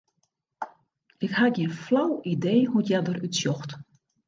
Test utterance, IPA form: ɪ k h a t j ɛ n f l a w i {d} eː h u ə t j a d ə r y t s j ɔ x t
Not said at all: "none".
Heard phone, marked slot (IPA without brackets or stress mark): d